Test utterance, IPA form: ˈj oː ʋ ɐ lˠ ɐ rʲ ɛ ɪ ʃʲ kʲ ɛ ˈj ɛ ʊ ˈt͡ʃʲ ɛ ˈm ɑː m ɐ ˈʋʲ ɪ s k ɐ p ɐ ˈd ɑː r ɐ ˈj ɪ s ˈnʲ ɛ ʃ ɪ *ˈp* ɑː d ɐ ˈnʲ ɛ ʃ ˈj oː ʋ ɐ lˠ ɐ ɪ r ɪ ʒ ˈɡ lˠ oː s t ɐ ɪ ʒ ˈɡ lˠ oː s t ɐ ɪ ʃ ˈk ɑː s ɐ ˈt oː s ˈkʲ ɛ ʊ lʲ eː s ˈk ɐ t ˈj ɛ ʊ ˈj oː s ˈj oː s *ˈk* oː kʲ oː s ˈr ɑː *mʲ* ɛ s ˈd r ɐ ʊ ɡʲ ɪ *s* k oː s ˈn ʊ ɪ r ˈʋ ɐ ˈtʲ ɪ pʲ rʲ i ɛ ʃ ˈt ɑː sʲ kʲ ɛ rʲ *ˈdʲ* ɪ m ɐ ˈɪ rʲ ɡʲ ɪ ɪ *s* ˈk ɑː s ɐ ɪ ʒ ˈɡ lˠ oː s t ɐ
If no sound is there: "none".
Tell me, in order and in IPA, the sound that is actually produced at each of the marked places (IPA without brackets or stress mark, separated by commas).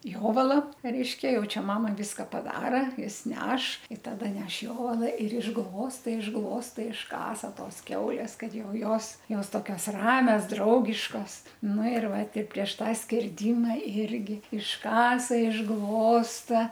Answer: t, t, mʲ, ʃ, dʲ, ʃ